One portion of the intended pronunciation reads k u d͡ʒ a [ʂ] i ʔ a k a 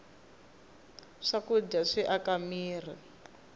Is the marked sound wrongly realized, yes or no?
no